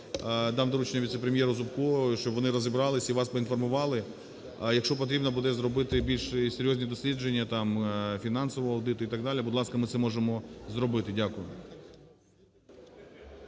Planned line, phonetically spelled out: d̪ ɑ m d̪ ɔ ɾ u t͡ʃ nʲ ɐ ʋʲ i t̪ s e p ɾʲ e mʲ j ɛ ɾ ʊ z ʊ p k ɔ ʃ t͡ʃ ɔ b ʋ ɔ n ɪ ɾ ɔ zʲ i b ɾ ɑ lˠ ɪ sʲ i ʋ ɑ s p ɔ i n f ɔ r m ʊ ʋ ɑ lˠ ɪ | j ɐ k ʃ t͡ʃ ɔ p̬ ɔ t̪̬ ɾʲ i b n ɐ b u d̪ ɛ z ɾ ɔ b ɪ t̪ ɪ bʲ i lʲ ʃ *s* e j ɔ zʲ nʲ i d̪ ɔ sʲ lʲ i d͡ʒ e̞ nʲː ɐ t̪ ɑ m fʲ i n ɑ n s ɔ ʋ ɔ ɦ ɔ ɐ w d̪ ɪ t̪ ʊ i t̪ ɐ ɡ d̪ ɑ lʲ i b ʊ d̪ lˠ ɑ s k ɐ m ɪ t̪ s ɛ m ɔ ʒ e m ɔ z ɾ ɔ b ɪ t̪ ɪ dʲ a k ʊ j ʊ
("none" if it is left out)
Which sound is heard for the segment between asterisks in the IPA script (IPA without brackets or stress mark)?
s